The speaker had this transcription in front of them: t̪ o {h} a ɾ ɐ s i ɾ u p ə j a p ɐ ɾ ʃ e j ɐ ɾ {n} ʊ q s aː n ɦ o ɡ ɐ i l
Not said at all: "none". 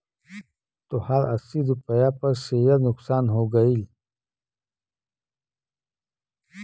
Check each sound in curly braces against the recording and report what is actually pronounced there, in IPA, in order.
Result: h, n

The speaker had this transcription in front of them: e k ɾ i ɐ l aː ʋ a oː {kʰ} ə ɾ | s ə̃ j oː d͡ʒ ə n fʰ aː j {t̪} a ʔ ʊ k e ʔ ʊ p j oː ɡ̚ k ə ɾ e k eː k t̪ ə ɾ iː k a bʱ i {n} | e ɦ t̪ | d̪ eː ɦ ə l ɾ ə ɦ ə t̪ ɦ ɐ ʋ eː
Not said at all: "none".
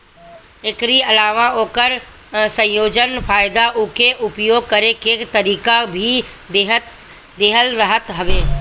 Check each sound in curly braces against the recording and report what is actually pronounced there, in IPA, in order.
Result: k, d̪, none

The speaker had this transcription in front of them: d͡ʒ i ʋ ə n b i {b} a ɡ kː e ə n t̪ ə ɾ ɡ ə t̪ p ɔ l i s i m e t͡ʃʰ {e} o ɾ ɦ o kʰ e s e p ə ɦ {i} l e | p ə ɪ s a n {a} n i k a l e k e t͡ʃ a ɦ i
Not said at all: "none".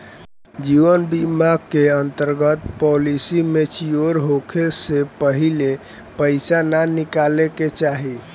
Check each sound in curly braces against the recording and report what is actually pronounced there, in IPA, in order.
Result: m, i, i, a

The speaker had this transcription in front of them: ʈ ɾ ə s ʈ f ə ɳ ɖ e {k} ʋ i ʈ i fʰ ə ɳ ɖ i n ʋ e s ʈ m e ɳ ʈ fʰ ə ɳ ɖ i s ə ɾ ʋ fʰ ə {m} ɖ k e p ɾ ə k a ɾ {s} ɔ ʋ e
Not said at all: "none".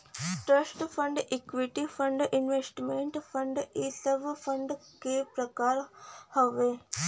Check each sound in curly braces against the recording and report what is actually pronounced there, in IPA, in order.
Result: k, ɳ, h

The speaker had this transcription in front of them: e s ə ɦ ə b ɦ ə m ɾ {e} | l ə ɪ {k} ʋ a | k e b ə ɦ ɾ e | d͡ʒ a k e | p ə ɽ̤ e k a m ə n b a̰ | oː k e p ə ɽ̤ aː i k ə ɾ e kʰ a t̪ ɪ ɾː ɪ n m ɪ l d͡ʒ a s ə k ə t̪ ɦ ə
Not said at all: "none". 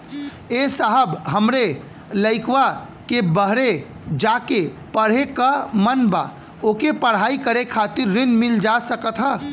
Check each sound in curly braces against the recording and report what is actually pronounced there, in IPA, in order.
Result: e, k

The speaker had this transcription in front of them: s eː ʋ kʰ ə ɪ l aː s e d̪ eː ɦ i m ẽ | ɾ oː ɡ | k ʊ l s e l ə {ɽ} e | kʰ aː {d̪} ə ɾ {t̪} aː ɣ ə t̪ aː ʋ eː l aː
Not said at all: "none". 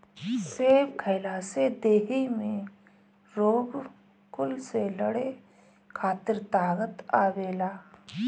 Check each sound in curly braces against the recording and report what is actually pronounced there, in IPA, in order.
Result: ɽ, t̪, t̪

